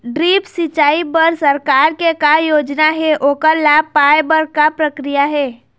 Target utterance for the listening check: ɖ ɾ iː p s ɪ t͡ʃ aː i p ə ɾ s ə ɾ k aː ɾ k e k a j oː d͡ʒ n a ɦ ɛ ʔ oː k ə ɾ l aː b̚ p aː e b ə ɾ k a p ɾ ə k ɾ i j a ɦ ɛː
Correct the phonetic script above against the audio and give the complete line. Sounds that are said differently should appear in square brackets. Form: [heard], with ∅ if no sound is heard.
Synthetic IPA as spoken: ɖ ɾ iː p s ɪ t͡ʃ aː i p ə ɾ s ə ɾ k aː ɾ k e k a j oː d͡ʒ n a ɦ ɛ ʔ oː k ə ɾ l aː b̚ p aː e b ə ɾ k a p ɾ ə k ɾ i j a ɦ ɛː